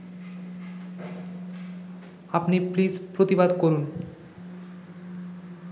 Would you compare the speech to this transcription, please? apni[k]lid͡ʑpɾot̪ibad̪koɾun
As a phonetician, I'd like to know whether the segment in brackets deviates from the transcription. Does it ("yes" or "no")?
yes